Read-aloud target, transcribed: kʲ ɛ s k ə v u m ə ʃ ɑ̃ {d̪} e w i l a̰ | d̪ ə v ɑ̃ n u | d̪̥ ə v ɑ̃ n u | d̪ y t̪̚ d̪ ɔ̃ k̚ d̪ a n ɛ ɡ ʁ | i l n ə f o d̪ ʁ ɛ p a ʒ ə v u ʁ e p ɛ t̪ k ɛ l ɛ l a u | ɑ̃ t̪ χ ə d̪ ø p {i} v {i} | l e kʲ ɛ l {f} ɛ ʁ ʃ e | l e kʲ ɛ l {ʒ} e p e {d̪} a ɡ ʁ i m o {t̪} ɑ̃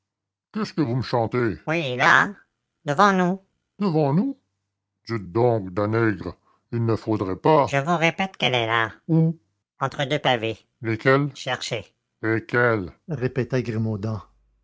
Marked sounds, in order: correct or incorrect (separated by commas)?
incorrect, incorrect, incorrect, incorrect, incorrect, incorrect, incorrect